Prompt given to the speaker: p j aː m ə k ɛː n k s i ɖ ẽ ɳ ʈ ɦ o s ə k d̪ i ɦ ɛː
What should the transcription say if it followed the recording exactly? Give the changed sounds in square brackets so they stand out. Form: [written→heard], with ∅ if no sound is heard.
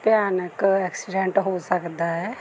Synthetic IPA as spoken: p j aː [m→n] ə k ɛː [n→∅] k s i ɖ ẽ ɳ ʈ ɦ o s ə k d̪ [i→a] ɦ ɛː